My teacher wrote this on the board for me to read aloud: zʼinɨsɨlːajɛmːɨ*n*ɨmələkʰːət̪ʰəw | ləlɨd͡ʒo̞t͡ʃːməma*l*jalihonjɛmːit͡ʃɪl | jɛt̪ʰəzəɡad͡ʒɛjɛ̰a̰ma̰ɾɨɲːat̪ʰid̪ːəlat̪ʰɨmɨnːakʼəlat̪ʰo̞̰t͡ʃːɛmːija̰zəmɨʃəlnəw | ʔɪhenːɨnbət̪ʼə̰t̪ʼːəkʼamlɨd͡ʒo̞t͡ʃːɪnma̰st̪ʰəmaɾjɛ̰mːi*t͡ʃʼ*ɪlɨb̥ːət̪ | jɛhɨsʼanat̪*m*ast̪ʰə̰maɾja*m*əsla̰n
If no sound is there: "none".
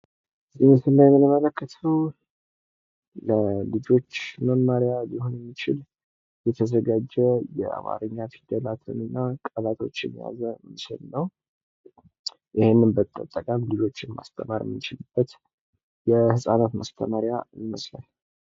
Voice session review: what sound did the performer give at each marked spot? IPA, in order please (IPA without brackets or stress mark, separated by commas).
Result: n, ɾ, t͡ʃ, m, m